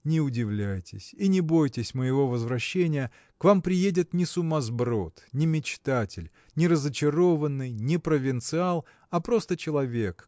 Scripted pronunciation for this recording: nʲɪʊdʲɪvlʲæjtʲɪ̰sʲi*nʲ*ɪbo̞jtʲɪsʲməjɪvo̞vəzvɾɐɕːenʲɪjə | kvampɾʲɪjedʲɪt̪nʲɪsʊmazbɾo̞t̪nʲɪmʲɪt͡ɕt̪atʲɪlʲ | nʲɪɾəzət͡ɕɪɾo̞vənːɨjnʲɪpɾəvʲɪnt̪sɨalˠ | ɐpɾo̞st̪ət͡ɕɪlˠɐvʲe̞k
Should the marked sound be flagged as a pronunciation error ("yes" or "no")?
no